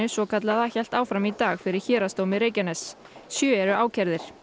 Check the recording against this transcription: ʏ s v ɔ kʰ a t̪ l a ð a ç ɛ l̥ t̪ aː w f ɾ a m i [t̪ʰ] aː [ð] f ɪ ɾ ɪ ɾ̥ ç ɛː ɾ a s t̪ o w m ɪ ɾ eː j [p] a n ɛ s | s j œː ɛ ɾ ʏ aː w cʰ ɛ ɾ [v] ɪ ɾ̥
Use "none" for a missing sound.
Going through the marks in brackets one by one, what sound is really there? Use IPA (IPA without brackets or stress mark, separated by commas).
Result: t̪, ɣ, c, ð